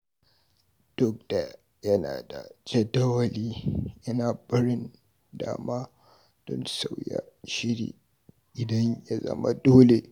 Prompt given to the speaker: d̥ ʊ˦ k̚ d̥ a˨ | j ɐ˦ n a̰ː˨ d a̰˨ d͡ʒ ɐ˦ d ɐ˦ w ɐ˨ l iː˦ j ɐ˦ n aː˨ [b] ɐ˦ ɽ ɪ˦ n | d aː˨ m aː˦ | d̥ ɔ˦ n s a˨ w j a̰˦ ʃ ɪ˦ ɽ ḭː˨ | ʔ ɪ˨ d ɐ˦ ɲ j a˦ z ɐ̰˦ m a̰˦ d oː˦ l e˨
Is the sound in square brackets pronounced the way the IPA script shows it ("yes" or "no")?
yes